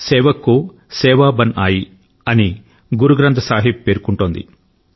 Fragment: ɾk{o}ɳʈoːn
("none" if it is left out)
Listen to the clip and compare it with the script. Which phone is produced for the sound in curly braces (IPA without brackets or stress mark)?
u